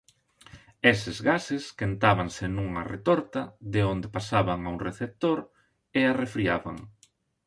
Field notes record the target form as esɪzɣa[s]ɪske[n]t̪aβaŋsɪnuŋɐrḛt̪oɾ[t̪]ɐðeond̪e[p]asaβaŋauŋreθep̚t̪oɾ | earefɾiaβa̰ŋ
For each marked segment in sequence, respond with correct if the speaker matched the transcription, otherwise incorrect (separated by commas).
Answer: correct, correct, correct, correct